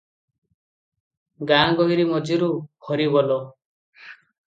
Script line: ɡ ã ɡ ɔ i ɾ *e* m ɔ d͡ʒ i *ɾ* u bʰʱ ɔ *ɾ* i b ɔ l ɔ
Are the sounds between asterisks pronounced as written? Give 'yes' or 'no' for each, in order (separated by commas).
no, yes, yes